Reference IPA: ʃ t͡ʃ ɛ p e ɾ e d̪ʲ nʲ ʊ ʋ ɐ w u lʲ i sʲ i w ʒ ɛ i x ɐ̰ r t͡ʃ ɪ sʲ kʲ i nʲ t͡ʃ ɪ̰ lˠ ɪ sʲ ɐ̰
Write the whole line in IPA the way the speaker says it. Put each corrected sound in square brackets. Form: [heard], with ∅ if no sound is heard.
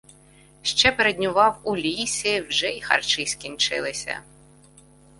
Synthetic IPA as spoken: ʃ t͡ʃ ɛ p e ɾ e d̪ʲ nʲ ʊ ʋ [ɑ] w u lʲ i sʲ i w ʒ ɛ i x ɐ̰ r t͡ʃ ɪ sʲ kʲ i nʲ t͡ʃ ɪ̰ lˠ ɪ sʲ ɐ̰